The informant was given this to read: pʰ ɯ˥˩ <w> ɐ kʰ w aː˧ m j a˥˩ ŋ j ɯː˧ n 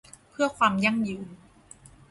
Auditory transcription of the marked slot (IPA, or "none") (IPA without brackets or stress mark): none